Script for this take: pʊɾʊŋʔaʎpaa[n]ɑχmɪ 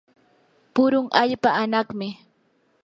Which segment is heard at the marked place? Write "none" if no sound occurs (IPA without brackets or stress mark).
n